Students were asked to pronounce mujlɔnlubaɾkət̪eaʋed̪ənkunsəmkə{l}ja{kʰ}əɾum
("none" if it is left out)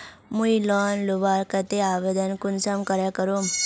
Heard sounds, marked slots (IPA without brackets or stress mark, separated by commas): ɾ, k